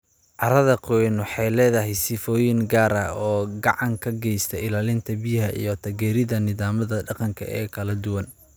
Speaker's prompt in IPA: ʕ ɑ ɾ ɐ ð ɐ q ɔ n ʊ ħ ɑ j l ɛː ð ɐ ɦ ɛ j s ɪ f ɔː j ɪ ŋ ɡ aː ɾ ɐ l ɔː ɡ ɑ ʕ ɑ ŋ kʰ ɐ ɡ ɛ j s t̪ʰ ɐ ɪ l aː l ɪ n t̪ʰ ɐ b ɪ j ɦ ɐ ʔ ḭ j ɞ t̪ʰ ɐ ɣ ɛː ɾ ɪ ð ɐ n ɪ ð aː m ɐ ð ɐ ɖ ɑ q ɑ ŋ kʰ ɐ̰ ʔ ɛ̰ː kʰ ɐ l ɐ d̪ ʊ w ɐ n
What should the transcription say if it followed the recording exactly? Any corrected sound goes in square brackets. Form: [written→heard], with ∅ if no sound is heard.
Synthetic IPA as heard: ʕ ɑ ɾ ɐ ð ɐ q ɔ n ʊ ħ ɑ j l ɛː ð ɐ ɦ ɛ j s ɪ f ɔː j ɪ ŋ ɡ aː ɾ ɐ [l→∅] ɔː ɡ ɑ ʕ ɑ ŋ kʰ ɐ ɡ ɛ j s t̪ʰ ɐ ɪ l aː l ɪ n t̪ʰ ɐ b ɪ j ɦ ɐ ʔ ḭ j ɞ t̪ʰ ɐ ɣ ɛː ɾ ɪ ð ɐ n ɪ ð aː m ɐ ð ɐ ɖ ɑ q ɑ ŋ kʰ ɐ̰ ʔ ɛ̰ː kʰ ɐ l ɐ d̪ ʊ w ɐ n